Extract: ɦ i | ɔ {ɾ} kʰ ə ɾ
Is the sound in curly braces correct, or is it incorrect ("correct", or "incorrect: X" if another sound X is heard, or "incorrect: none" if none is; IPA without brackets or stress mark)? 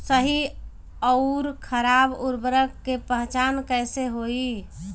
correct